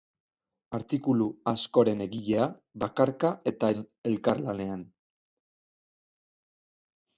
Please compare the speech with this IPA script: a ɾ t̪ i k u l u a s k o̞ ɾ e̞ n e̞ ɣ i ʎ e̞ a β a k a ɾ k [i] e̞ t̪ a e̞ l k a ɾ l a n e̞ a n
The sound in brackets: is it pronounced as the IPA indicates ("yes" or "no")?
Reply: no